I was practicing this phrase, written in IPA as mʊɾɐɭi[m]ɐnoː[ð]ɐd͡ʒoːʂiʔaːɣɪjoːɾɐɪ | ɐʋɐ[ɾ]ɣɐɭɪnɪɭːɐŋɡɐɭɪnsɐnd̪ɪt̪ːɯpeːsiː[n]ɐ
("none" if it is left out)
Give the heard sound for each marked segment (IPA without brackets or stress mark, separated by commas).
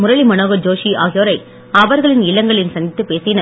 m, ɣ, ɾ, n